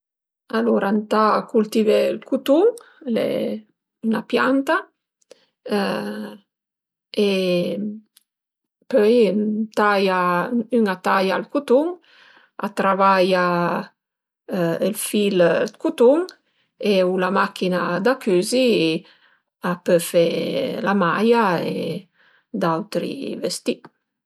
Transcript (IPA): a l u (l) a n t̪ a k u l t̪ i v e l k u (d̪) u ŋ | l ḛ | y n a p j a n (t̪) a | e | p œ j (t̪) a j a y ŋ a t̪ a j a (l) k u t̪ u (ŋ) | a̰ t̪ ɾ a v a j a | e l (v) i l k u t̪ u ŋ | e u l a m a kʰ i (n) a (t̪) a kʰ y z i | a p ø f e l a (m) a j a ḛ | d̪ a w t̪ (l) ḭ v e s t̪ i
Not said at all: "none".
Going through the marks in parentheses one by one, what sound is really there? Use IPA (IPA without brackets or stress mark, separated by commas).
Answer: ɾ, t̪, t̪, t̪, l, ŋ, f, n, d̪, m, ɾ